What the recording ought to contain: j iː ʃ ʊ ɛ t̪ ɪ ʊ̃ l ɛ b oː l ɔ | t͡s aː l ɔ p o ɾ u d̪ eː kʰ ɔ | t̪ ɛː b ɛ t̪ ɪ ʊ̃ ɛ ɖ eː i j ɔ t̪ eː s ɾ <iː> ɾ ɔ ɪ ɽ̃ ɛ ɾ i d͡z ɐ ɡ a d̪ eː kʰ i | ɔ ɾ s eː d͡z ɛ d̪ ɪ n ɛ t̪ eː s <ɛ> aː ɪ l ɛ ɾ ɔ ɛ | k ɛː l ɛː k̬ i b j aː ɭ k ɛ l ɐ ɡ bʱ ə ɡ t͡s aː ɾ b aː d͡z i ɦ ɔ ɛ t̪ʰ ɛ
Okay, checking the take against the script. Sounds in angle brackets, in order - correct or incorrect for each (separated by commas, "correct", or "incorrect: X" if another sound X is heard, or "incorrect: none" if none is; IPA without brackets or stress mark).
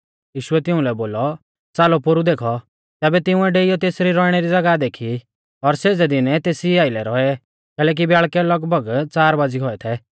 incorrect: i, incorrect: i